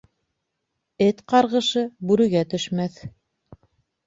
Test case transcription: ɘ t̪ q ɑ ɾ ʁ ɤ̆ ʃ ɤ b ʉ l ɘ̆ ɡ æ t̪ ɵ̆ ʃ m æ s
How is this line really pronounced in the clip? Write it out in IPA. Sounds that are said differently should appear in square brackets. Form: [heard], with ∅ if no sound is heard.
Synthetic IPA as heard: ɘ t̪ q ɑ ɾ ʁ ɤ̆ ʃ ɤ b ʉ [ɾ] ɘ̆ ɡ æ t̪ ɵ̆ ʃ m æ [θ]

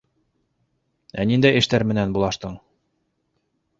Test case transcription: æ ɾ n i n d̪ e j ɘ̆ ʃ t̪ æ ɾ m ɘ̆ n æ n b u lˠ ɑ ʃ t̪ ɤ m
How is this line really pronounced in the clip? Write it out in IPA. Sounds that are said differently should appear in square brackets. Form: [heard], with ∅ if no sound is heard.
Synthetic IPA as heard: æ [∅] n i n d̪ [æ] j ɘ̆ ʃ t̪ æ ɾ m ɘ̆ n æ n b u lˠ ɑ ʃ t̪ ɤ [ɴ]

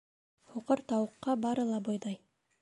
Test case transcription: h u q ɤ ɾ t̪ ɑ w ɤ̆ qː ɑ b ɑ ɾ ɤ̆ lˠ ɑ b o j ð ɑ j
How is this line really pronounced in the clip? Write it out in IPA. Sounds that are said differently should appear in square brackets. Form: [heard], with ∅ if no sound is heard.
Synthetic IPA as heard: h u q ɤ ɾ t̪ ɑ w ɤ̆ qː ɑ b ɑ ɾ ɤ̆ lˠ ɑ b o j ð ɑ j

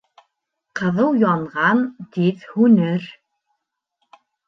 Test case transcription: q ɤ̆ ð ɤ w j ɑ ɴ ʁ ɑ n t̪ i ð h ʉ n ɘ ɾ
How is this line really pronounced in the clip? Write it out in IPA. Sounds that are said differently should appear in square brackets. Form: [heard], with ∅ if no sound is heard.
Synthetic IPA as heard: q ɤ̆ ð ɤ w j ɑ ɴ ʁ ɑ n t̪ i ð h ʉ n ɘ ɾ

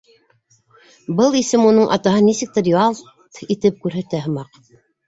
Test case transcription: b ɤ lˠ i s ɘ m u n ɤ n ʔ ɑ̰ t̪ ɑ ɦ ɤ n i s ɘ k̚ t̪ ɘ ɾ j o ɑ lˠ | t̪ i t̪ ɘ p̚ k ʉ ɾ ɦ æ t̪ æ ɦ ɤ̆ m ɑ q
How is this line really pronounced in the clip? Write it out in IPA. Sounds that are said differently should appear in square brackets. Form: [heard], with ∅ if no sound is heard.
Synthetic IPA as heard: b ɤ lˠ i s ɘ m u n ɤ [ɴ] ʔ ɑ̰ t̪ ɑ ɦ ɤ n i s ɘ k̚ t̪ ɘ ɾ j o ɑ lˠ | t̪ i t̪ ɘ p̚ k ʉ ɾ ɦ æ t̪ æ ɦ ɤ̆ m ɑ q

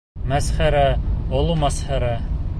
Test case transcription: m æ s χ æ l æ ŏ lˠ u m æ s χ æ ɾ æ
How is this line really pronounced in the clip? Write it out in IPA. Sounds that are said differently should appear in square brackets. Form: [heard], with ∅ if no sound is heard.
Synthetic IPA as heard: m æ s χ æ [ɾ] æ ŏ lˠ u m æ s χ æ ɾ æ

